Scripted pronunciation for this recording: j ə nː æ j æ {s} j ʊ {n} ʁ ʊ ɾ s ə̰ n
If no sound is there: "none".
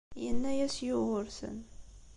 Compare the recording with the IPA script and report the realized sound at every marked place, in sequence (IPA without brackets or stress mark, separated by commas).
s, none